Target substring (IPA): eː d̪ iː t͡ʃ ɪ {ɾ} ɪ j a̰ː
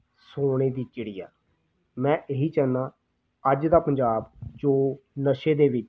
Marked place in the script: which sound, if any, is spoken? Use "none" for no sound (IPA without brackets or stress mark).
ɽ